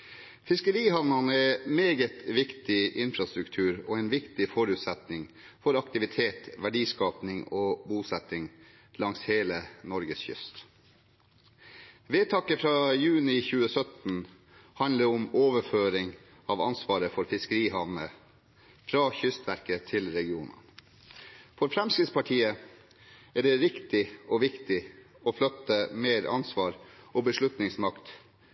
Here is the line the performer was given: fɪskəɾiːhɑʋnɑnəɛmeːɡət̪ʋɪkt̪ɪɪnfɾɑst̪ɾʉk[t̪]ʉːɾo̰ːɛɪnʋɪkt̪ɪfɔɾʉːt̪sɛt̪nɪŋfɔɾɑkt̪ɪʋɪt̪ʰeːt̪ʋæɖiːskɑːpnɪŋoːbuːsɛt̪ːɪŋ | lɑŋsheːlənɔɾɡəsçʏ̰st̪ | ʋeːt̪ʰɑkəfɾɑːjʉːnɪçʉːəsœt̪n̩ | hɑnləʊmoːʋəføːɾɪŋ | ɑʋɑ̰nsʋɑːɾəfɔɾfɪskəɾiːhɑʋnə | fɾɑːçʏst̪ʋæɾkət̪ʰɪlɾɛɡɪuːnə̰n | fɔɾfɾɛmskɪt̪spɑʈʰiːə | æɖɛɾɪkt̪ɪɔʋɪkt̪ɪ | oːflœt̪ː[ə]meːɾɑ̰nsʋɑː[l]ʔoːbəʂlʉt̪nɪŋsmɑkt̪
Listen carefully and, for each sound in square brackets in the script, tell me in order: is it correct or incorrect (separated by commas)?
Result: incorrect, correct, incorrect